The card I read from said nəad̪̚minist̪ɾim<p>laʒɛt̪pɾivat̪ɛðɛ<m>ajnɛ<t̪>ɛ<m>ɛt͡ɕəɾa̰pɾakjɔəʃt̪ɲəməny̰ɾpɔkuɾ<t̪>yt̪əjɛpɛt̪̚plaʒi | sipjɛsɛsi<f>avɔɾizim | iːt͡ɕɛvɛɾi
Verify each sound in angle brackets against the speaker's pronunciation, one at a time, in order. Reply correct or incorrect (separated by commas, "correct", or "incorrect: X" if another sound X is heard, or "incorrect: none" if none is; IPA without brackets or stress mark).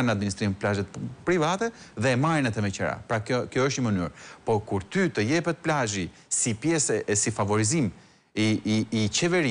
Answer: correct, correct, correct, correct, correct, correct